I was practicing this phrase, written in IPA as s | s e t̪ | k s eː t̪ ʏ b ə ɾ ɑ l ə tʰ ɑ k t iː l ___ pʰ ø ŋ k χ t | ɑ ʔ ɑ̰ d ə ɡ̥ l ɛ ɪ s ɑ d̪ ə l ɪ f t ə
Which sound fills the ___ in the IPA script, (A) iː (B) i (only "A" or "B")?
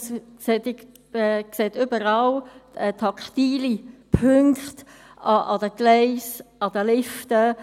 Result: B